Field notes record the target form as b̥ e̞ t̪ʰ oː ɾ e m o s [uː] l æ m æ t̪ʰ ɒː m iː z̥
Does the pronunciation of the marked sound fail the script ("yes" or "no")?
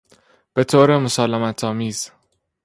yes